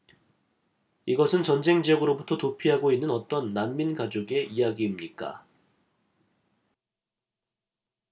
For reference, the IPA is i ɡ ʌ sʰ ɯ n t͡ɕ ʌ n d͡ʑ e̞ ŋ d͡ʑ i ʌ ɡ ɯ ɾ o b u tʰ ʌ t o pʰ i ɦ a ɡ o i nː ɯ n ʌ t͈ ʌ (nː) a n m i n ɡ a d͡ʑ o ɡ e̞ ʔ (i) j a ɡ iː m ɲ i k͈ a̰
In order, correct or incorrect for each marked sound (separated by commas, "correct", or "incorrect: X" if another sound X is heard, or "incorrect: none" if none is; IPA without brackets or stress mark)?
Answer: correct, correct